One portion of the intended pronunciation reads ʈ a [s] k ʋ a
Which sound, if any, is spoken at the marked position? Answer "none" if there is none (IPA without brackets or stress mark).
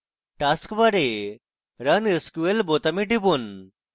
s